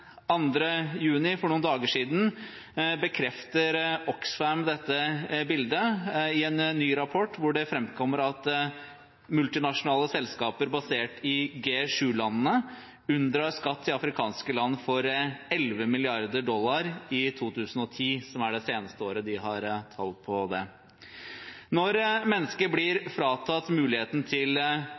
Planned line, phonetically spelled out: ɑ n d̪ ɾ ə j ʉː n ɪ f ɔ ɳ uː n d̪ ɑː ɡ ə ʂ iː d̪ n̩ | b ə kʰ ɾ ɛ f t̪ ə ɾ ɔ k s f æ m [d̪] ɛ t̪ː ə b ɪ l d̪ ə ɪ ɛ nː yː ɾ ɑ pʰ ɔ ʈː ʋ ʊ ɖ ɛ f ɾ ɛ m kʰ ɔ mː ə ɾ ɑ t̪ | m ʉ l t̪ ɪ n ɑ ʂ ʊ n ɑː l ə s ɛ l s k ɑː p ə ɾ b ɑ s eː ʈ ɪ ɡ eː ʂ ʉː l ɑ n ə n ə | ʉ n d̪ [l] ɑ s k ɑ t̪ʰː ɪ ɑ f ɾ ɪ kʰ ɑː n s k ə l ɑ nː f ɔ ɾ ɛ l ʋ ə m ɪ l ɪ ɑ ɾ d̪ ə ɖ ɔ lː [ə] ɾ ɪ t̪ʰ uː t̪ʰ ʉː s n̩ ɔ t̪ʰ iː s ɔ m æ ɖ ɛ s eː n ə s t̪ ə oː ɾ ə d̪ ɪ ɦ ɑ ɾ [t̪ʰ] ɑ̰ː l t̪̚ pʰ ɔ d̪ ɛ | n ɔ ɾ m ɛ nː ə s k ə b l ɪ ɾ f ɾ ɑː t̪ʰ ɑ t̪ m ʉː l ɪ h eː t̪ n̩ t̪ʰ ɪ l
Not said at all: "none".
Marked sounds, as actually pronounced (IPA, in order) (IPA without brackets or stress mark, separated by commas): d̪, ɾ, ɑ, t̪ʰ